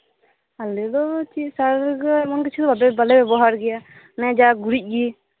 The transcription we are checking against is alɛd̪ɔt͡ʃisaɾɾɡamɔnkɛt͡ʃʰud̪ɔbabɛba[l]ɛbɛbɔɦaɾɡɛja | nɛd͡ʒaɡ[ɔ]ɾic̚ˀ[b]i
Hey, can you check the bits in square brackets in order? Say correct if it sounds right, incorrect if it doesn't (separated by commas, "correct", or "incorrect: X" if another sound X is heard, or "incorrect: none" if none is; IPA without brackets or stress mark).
correct, incorrect: u, incorrect: ɡ